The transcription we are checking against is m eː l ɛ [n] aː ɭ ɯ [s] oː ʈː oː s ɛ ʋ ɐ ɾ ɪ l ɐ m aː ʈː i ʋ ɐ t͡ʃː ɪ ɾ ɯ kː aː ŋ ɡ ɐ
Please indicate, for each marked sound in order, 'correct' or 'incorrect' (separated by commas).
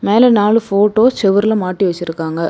correct, incorrect